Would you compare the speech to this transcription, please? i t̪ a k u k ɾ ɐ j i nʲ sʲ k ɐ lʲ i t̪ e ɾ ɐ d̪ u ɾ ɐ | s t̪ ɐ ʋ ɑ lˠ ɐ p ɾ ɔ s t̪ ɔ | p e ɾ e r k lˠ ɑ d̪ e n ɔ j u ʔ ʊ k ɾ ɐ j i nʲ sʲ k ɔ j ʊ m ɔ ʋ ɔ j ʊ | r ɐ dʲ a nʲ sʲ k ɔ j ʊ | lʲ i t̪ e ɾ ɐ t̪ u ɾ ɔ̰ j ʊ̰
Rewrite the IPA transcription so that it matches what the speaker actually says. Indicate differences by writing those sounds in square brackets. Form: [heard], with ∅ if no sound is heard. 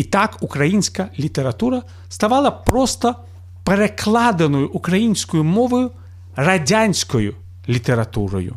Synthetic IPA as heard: i t̪ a k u k ɾ ɐ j i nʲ sʲ k ɐ lʲ i t̪ e ɾ ɐ [t̪] u ɾ ɐ | s t̪ ɐ ʋ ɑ lˠ ɐ p ɾ ɔ s t̪ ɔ | p e ɾ e [∅] k lˠ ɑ d̪ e n ɔ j [ʊ] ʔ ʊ k ɾ ɐ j i nʲ sʲ k ɔ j ʊ m ɔ ʋ ɔ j ʊ | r ɐ dʲ a nʲ sʲ k ɔ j ʊ | lʲ i t̪ e ɾ ɐ t̪ u ɾ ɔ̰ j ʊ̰